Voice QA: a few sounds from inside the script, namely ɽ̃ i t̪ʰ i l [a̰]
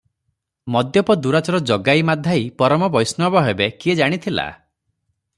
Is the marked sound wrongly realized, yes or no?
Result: no